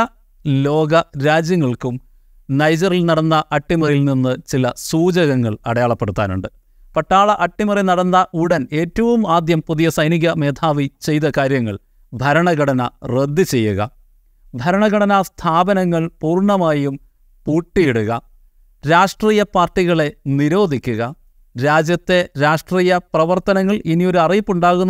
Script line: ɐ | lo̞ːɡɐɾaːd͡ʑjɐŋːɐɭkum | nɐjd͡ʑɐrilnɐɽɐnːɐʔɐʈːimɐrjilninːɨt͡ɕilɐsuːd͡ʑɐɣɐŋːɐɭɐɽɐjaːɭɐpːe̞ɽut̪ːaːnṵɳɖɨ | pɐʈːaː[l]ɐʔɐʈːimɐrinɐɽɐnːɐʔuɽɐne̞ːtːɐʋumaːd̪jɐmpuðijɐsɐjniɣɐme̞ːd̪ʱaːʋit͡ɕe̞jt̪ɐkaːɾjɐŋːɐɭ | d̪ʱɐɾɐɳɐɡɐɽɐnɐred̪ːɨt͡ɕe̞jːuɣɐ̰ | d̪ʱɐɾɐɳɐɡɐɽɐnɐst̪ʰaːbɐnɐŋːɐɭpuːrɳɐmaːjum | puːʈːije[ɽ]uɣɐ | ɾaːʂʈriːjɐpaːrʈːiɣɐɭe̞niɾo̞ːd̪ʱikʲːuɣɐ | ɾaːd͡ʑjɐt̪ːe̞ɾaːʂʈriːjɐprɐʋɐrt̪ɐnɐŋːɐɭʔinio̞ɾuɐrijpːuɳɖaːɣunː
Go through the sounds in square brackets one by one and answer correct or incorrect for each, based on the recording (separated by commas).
incorrect, correct